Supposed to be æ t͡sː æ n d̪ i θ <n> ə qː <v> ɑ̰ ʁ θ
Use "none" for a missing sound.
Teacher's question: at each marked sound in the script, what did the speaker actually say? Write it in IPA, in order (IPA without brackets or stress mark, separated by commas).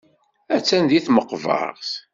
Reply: m, v